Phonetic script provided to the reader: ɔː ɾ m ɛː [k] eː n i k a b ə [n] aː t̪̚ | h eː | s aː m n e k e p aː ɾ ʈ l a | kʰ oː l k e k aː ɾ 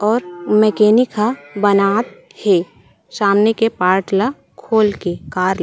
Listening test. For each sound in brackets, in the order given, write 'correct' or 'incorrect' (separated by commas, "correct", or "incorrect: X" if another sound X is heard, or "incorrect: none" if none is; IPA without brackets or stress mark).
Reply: correct, correct